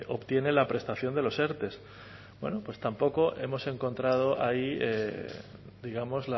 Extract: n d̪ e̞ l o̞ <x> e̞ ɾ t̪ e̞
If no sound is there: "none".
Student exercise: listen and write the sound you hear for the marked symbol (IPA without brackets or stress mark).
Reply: s